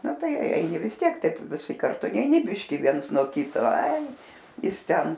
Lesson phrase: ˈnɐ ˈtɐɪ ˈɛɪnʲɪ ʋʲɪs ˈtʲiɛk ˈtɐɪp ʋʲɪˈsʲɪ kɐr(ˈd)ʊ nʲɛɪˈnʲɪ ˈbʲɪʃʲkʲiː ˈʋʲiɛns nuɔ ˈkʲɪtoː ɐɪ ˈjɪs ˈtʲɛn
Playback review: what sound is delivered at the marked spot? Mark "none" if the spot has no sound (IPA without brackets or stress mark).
t